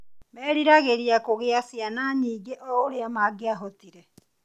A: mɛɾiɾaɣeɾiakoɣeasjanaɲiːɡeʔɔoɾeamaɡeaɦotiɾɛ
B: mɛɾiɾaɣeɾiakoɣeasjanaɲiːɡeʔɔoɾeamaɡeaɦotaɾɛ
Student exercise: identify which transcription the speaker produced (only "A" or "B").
A